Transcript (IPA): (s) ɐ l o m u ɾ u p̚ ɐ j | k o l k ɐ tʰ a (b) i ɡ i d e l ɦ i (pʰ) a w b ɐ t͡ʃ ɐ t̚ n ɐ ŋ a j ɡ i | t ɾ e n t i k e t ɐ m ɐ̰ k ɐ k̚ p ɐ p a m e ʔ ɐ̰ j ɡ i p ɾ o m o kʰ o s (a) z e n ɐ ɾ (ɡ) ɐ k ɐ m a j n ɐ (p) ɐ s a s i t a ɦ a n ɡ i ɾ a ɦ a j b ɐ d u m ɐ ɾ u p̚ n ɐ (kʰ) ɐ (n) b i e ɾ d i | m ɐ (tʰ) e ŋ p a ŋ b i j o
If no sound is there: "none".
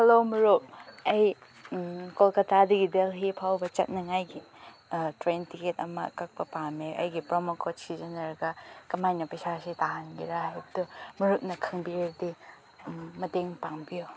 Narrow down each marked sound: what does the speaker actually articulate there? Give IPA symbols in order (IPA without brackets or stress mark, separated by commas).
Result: h, d, pʰ, i, ɡ, p, kʰ, ŋ, t